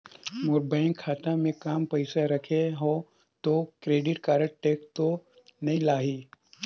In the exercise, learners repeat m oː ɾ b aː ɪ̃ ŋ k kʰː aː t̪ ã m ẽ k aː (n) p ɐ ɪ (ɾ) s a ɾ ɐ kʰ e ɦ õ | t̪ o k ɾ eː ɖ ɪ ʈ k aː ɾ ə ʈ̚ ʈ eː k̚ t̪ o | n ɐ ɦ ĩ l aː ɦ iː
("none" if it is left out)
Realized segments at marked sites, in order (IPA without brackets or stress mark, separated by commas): m, none